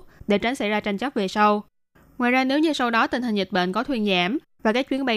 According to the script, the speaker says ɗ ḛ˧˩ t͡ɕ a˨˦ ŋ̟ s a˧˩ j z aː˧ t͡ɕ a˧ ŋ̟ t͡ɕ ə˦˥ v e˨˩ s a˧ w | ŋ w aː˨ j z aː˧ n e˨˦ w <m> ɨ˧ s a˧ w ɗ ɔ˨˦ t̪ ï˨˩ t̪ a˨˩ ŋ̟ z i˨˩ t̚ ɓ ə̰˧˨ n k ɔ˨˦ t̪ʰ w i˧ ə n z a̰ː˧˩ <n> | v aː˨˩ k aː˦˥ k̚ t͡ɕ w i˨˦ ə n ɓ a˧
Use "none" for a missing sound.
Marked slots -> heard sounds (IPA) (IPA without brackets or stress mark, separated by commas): ɲ, m